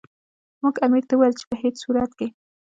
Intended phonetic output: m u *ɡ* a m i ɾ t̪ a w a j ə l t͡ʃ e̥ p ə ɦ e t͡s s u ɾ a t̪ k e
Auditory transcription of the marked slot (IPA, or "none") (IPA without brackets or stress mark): ɡ